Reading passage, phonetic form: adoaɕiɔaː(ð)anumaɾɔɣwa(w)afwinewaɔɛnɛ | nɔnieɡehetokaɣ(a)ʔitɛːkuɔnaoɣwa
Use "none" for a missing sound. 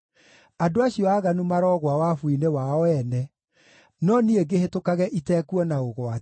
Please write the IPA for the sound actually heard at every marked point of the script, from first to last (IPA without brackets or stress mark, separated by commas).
ɣ, w, ɛ